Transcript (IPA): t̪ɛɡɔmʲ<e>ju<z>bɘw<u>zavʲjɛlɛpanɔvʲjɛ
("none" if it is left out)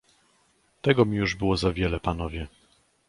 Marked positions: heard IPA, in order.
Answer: i, ʐ, ɔ

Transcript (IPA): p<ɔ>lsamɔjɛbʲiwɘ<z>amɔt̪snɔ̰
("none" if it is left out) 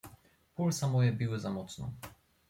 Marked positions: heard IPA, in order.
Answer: u, z

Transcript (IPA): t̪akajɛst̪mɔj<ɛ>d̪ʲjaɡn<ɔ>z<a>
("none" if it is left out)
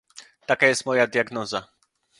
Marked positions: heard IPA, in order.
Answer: a, ɔ, a

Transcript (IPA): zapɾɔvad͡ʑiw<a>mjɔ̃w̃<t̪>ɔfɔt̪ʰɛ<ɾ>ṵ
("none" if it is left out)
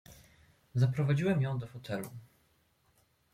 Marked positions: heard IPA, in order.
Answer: ɛ, d̪, l

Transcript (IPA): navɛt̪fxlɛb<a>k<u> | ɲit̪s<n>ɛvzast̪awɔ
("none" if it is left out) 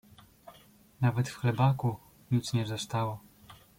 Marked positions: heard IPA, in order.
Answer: a, u, ɲ

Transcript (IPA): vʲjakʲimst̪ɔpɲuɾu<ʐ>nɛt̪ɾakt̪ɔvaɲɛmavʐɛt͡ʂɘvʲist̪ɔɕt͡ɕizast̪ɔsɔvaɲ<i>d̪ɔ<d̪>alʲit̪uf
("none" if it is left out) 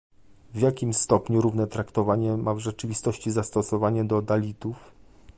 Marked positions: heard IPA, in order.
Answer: v, ɛ, d̪

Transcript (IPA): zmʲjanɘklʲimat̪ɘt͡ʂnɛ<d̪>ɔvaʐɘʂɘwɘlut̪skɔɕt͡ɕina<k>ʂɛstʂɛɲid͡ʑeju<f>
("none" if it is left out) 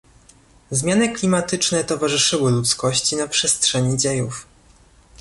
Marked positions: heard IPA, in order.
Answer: t̪, p, f

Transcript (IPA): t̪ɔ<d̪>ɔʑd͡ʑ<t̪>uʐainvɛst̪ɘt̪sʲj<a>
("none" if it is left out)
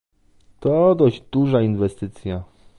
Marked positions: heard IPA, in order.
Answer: d̪, d̪, a

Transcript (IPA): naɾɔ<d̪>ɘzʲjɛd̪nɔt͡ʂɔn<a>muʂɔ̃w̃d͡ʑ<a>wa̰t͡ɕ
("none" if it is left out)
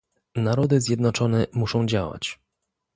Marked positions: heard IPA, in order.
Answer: d̪, ɛ, a

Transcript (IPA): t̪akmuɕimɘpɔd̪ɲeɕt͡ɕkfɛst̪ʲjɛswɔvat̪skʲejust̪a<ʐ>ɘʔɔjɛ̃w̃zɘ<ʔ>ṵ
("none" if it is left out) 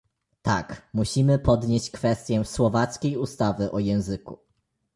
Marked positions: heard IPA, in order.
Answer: v, k

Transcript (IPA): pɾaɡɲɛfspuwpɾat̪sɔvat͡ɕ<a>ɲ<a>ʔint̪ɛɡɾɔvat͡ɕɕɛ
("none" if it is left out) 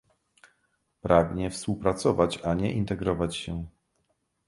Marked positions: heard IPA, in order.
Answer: a, ɛ

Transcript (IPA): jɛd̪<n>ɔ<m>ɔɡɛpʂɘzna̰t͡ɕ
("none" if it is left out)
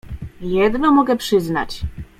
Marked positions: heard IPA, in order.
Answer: n, m

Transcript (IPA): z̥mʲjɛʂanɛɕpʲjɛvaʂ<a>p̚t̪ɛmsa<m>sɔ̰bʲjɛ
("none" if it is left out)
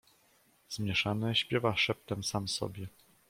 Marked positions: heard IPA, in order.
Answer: ɛ, m

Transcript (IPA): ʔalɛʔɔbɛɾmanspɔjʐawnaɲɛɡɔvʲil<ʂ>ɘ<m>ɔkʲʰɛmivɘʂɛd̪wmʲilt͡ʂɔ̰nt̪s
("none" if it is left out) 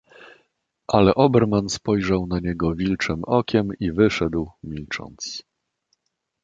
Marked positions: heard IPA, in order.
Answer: t͡ʂ, m

